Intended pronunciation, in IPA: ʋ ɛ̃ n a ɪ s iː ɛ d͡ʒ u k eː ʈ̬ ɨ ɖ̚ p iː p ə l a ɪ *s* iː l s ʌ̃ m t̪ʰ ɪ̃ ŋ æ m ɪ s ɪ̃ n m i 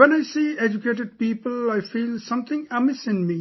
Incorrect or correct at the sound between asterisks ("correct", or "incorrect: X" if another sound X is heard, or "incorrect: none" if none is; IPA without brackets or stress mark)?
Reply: incorrect: f